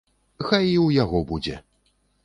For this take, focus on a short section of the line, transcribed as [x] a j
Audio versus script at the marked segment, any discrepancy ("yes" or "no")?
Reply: no